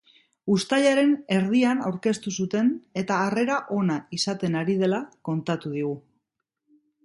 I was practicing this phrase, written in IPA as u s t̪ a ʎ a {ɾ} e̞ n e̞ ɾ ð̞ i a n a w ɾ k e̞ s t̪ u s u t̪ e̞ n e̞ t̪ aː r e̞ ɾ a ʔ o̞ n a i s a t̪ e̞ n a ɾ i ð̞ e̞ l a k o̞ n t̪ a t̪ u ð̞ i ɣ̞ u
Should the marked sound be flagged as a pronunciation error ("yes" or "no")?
no